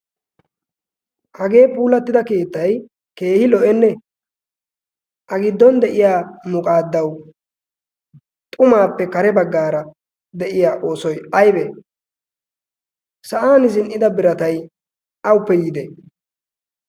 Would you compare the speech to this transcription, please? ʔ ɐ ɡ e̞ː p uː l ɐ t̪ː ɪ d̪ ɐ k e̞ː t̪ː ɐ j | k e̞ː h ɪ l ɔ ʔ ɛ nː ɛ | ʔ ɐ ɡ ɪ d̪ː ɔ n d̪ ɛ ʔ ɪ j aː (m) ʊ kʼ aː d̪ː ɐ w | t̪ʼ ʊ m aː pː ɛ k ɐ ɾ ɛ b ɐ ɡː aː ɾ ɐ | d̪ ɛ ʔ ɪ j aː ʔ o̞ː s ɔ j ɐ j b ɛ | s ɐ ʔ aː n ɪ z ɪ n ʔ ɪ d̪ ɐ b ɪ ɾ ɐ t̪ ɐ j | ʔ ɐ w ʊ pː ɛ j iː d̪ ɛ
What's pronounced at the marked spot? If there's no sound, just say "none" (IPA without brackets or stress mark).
m